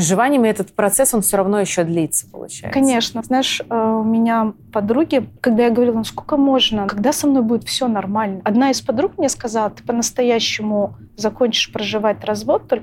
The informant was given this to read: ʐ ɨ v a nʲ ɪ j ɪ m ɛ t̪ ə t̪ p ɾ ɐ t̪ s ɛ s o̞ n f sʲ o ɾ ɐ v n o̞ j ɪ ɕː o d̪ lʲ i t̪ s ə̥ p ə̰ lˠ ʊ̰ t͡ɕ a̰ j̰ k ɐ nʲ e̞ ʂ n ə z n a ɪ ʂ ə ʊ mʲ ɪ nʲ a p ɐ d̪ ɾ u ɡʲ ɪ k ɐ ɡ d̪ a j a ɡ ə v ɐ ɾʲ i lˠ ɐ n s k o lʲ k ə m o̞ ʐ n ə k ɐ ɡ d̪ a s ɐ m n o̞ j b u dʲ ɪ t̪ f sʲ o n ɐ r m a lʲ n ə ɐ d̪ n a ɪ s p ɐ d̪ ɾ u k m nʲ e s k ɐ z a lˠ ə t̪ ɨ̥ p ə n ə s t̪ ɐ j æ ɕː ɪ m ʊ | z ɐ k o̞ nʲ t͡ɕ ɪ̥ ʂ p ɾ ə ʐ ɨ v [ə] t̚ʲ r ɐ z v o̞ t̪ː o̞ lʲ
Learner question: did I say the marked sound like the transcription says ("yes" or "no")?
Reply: no